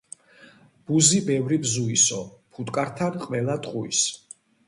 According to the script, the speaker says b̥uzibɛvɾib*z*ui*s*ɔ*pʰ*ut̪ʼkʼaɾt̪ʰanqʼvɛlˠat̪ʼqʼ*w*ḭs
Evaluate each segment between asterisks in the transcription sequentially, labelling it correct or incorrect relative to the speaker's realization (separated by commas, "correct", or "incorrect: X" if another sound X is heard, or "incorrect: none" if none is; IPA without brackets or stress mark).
correct, correct, correct, incorrect: u